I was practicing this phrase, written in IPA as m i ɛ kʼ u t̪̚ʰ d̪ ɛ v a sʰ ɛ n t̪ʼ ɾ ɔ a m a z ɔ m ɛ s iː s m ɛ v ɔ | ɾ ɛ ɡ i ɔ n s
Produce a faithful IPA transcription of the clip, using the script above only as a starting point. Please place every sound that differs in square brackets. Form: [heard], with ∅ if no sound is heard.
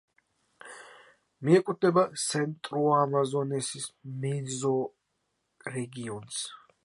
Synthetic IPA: m i ɛ kʼ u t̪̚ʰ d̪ ɛ [b] a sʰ ɛ n t̪ʼ ɾ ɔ a m a z ɔ [n] ɛ s [i] s m ɛ [z] ɔ | ɾ ɛ ɡ i ɔ n s